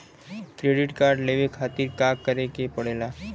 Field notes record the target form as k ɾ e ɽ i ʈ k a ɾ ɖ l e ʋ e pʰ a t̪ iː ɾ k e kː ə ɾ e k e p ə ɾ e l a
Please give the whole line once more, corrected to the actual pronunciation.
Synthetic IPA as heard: k ɾ e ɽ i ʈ k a ɾ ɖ l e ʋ e kʰ a t̪ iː ɾ k a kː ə ɾ e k e p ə ɽ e l a